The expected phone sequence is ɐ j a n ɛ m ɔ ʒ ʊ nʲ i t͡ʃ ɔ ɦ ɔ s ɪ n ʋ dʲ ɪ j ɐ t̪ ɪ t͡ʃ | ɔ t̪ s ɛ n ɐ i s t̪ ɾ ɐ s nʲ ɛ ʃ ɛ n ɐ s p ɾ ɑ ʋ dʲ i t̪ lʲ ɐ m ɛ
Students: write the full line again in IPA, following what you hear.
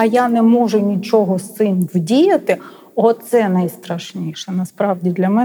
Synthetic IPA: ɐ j a n ɛ m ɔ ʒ ʊ nʲ i t͡ʃ ɔ ɦ ɔ s ɪ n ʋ dʲ i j ɐ t̪ ɪ | ɔ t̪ s ɛ n ɐ j s t̪ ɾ ɐ ʃ nʲ i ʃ ɛ n ɐ s p ɾ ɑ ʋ dʲ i d̪ lʲ ɐ m ɛ